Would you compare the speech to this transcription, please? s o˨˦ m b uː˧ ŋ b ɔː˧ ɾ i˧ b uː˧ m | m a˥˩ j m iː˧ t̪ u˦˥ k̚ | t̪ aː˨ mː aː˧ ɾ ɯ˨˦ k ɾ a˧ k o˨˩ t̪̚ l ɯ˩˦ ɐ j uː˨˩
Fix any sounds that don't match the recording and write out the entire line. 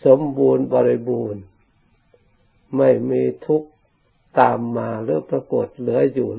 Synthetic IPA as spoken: s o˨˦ m b uː˧ n b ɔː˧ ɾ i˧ b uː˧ n | m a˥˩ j m iː˧ t̪ʰ u˦˥ k̚ | t̪ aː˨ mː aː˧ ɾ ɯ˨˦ p ɾ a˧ k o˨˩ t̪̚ l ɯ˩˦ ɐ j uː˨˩